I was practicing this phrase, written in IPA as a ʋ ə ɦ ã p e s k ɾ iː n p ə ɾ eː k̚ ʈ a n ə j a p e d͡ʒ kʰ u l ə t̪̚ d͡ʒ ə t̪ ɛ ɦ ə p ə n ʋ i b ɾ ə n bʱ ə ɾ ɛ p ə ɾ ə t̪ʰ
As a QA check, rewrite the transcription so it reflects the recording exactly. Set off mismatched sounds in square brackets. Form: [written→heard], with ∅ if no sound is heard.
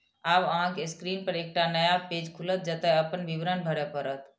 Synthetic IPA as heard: a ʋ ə ɦ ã [p→k] e s k ɾ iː n p ə ɾ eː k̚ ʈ a n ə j a p e d͡ʒ kʰ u l ə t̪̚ d͡ʒ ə t̪ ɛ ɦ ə p ə n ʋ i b ɾ ə n bʱ ə ɾ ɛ p ə ɾ ə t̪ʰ